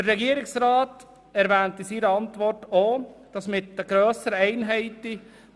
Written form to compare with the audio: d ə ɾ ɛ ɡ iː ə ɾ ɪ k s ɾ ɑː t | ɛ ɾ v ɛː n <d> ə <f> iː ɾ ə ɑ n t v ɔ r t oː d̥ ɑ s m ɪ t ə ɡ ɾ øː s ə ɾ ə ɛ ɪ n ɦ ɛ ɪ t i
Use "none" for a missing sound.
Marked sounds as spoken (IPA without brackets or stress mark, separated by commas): t, s